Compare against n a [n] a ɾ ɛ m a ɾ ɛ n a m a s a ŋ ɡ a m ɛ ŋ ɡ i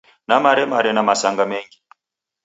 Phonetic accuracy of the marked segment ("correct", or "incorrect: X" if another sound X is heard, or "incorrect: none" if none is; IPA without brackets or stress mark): incorrect: m